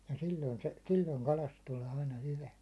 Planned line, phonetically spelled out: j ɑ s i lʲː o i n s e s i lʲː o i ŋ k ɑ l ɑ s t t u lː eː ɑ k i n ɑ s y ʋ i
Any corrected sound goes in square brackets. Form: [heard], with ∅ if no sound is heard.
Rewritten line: j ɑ s i lʲː o i n s e s i lʲː o i ŋ k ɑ l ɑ s t t u [l] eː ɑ [∅] i n ɑ [h] y ʋ [æ]